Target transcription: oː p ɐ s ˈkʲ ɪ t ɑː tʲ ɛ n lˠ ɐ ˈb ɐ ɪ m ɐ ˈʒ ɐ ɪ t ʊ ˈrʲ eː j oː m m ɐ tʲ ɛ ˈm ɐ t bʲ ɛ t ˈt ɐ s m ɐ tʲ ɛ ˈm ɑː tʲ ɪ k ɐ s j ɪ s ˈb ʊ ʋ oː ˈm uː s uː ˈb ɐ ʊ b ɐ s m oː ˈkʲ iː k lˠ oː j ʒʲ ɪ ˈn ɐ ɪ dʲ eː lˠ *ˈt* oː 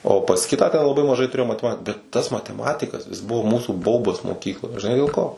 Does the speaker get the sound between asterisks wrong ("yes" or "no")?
yes